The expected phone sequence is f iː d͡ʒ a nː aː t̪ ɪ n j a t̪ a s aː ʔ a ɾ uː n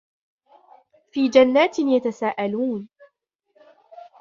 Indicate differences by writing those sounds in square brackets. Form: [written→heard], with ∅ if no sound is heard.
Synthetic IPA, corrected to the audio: f iː d͡ʒ a nː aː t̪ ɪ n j a t̪ a s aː ʔ a [ɾ→l] uː n